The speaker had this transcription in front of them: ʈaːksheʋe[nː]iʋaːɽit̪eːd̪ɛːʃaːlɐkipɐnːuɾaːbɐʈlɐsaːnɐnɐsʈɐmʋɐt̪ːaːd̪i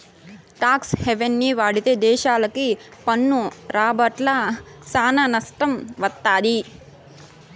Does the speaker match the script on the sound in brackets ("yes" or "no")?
yes